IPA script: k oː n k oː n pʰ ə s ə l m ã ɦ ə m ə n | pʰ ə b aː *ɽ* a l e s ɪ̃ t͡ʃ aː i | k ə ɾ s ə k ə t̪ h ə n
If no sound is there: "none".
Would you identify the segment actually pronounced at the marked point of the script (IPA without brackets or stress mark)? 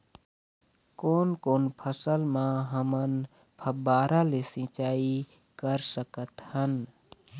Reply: ɾ